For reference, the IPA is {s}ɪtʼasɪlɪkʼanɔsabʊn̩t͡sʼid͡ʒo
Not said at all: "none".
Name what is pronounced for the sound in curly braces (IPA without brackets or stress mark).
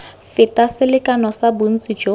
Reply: f